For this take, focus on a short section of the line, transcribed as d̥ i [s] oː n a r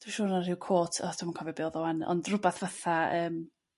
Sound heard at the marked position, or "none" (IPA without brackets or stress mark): ʃ